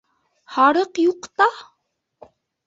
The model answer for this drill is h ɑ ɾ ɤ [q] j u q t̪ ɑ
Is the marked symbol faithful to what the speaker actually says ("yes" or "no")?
yes